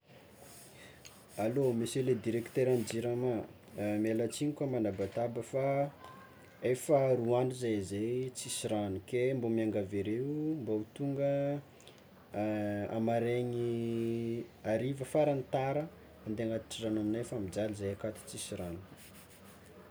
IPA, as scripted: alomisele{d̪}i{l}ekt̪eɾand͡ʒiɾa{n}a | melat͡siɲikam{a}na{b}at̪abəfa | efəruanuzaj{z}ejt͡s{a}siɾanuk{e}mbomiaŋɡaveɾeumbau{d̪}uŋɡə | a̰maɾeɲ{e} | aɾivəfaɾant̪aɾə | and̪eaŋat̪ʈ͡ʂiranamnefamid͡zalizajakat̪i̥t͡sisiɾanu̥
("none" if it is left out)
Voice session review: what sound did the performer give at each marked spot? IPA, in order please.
d̪, ɾ, m, a, b, z, i, e, t̪, i

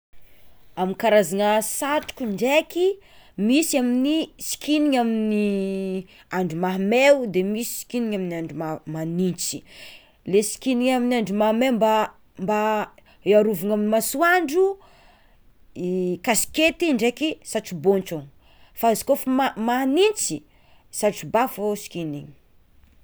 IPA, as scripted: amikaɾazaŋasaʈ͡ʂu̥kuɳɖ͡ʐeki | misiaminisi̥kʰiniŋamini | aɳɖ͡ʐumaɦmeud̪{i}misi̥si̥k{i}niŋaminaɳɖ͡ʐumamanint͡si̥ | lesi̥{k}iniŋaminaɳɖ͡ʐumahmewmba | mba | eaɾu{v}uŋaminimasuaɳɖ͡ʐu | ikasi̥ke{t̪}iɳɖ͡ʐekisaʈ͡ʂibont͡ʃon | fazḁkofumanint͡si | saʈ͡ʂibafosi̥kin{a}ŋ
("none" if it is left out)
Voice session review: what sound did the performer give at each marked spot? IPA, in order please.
e, i, k, v, t̪, i

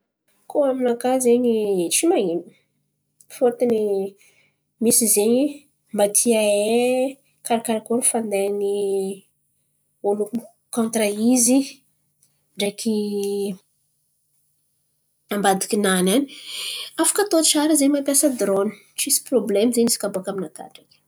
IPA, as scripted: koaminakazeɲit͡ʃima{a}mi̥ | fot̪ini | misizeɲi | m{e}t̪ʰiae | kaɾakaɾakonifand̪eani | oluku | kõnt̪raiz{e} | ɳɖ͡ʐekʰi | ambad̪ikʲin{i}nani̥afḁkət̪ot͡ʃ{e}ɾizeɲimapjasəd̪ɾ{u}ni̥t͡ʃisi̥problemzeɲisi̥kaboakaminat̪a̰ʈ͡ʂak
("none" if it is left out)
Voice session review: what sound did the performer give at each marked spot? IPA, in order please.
i, a, i, a, a, o

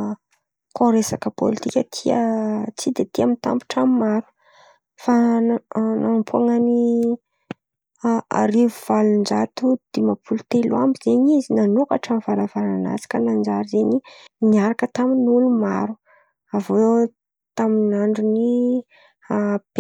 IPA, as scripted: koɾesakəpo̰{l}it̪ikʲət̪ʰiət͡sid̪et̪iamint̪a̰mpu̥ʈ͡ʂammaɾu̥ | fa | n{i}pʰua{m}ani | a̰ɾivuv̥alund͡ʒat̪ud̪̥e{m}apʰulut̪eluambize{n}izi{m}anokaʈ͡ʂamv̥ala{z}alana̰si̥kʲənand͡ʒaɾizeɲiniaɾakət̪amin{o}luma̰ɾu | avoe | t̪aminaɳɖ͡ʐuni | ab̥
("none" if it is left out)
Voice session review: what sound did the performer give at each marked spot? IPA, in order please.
l, a, ŋ, m, ɲ, n, v, u

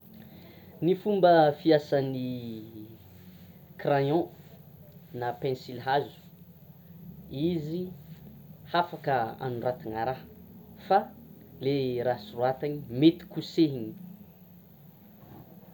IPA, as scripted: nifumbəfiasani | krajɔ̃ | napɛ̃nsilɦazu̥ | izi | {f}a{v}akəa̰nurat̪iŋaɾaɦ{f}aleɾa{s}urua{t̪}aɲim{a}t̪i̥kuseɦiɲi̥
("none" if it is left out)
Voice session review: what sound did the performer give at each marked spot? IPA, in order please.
h, f, f, s, t̪, e

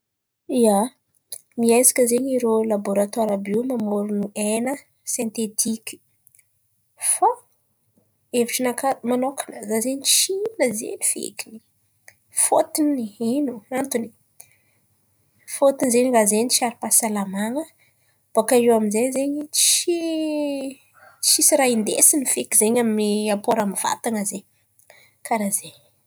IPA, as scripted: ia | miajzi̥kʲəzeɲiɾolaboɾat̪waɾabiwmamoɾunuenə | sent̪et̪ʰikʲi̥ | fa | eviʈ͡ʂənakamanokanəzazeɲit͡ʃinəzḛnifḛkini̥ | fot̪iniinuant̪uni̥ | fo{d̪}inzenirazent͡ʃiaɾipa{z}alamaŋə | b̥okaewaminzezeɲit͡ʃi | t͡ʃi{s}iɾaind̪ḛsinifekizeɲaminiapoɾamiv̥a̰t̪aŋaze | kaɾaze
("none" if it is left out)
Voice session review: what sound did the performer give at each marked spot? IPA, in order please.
t̪, s, s

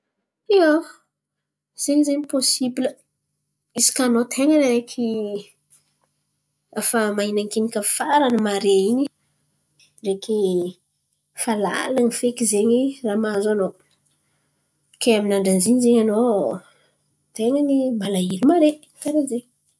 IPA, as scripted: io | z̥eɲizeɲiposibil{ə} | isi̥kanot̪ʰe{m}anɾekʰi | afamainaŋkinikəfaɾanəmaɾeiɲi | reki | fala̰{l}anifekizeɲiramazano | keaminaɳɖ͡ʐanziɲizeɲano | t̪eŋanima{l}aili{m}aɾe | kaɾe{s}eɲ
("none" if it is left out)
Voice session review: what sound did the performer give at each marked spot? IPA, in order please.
ə, ŋ, l, l, m, z

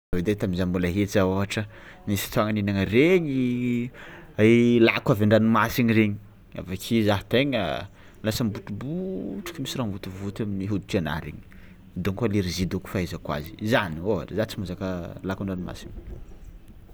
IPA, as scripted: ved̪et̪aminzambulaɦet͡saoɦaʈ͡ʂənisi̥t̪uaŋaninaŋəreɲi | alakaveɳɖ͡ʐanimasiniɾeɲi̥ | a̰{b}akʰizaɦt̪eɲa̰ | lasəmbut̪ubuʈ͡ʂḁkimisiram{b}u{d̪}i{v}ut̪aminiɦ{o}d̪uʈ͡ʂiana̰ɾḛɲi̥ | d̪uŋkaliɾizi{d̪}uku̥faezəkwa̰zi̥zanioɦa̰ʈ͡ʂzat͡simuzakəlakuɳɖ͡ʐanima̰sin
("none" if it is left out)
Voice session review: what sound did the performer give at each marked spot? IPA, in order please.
v, v, t̪, v, u, d̪

